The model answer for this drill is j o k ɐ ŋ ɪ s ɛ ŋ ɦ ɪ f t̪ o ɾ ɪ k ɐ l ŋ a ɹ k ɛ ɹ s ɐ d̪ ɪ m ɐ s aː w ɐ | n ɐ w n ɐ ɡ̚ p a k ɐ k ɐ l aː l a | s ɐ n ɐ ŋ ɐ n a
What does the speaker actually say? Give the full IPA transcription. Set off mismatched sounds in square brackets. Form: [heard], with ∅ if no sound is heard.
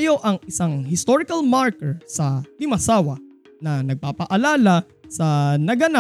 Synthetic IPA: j o [ʔ] ɐ ŋ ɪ s [a] ŋ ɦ ɪ [s] t̪ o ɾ ɪ k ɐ l [m] a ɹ k ɛ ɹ s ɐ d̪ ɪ m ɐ s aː w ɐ | n ɐ [∅] n ɐ ɡ̚ p a [p] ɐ [ʔ] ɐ l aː l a | s ɐ n ɐ [ɡ] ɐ n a